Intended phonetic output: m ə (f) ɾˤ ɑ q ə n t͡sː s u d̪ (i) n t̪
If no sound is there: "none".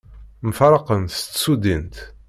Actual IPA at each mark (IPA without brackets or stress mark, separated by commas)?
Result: f, i